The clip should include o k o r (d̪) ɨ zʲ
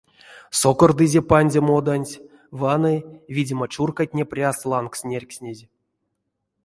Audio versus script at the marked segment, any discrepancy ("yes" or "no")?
no